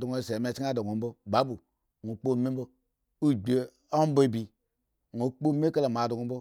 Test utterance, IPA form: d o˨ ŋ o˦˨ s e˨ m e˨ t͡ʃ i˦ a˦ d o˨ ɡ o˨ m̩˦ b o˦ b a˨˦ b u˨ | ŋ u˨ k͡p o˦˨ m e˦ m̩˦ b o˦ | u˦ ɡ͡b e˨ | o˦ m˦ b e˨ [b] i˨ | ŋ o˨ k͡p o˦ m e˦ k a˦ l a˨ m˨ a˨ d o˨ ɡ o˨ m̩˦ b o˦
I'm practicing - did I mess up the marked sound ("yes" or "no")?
no